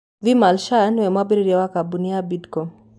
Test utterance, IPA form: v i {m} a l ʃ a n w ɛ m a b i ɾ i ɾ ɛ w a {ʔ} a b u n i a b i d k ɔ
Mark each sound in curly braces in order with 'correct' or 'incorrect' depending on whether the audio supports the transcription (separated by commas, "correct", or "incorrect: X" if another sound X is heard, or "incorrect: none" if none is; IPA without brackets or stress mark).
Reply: correct, incorrect: k